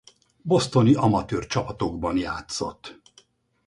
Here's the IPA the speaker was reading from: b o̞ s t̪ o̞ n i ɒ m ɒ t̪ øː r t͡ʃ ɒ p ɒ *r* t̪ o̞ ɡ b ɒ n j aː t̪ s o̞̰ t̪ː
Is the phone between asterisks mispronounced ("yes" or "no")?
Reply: yes